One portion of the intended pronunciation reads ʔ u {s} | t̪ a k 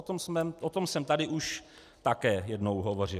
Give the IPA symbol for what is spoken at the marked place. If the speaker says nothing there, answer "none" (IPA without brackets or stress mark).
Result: ʃ